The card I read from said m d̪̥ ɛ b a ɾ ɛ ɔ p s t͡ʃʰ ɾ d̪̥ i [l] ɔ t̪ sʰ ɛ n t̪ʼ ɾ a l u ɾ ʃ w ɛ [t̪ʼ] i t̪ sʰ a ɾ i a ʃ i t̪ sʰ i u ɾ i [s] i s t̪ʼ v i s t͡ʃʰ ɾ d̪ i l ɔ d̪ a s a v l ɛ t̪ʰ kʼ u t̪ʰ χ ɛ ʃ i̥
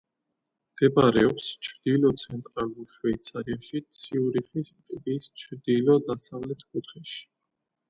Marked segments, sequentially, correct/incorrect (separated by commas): correct, incorrect, incorrect